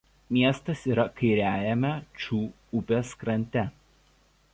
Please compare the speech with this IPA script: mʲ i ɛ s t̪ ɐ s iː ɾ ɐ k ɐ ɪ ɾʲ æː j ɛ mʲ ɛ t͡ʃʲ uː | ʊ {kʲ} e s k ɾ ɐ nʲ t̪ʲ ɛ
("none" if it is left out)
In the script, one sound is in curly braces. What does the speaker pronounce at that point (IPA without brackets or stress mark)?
pʲ